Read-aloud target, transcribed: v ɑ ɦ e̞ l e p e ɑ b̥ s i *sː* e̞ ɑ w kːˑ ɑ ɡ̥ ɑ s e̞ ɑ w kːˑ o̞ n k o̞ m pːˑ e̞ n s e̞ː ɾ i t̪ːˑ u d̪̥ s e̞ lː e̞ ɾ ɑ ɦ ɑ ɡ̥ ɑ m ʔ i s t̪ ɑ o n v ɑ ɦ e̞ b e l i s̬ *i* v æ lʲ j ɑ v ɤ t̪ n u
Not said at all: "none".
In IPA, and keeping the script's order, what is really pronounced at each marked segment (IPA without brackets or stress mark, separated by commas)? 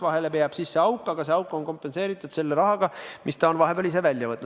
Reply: sː, e